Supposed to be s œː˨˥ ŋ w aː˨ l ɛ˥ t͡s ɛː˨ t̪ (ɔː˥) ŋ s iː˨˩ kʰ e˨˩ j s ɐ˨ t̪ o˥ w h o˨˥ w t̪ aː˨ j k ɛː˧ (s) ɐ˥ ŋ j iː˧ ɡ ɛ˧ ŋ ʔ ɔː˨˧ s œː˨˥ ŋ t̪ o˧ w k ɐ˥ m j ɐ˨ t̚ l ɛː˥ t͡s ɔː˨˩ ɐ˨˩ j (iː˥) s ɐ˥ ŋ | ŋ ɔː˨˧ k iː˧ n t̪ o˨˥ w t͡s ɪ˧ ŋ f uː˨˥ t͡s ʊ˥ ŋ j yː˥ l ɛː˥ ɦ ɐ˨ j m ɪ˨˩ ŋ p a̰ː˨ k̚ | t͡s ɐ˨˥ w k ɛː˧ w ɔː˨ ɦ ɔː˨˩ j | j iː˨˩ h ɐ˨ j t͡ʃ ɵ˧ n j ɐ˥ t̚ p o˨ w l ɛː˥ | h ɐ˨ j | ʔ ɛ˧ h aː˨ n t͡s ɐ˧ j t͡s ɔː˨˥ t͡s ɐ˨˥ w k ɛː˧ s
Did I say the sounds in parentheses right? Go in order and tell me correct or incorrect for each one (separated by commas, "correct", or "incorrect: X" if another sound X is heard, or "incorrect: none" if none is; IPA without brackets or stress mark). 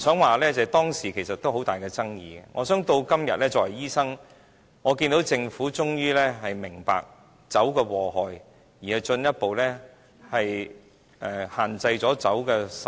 correct, incorrect: t͡s, correct